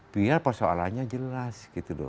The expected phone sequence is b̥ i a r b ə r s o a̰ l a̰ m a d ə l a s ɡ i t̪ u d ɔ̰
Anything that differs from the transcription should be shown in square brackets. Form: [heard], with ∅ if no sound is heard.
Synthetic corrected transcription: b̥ i a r [p] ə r s o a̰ l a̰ [ɲ] a [d͡ʒ] ə l a s ɡ i t̪ u d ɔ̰